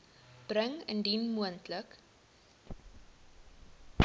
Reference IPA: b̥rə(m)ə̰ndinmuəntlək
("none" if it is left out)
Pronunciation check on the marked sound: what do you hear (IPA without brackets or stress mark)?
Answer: ŋ